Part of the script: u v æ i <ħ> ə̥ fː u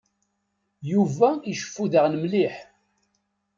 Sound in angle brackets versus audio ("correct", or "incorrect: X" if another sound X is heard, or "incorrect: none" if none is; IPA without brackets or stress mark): incorrect: ʃ